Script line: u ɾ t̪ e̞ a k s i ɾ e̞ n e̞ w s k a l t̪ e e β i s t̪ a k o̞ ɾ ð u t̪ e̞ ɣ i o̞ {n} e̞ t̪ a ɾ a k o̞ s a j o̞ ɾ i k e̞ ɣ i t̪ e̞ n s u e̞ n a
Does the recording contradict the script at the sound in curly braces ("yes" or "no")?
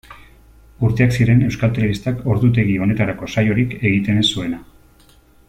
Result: no